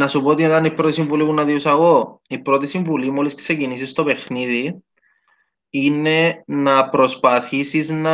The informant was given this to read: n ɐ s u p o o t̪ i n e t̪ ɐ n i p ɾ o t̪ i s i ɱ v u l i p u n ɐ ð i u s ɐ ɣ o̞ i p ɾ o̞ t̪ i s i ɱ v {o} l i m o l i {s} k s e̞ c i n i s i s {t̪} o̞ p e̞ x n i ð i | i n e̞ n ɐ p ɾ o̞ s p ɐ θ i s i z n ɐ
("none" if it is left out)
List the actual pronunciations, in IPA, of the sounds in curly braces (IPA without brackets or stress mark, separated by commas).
u, s, t̪